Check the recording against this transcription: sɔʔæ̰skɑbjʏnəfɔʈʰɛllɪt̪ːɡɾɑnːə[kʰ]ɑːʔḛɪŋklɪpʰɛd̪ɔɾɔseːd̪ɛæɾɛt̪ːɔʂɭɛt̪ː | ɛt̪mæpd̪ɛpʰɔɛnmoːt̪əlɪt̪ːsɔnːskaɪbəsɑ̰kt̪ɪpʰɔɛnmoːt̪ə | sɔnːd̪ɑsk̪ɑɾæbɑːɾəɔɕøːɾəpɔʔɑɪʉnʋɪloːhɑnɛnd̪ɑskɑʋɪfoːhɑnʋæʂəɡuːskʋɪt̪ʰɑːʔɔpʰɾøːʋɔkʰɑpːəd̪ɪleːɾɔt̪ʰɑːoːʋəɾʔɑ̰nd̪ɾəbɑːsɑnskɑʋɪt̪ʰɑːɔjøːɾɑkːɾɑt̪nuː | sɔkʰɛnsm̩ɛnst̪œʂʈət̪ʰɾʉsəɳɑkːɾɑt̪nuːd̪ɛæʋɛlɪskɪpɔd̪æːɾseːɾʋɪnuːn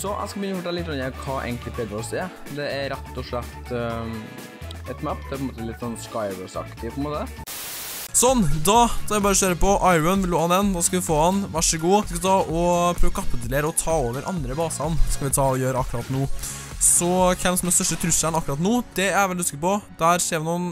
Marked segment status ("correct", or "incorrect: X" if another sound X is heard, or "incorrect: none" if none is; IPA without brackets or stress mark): correct